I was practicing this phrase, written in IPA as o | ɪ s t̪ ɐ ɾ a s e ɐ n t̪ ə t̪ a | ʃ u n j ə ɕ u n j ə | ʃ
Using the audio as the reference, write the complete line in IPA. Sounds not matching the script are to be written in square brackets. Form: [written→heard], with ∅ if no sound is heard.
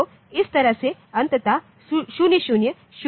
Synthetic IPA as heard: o | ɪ s t̪ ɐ ɾ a s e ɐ n t̪ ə t̪ a | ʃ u n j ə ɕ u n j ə | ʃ